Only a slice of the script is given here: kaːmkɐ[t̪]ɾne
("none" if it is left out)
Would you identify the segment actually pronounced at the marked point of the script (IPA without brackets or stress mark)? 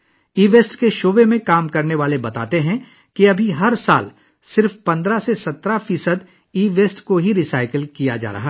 none